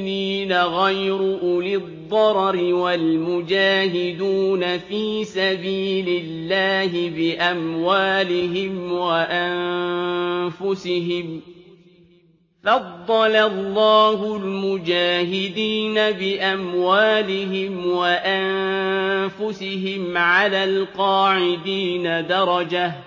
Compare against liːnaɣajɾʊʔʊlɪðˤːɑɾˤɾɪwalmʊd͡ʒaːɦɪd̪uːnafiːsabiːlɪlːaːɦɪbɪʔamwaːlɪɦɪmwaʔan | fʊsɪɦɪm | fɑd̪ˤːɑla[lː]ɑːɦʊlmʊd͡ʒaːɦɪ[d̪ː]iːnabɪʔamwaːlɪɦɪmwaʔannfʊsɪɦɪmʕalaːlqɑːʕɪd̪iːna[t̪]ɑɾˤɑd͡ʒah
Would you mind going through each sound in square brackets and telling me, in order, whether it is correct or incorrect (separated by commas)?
correct, incorrect, incorrect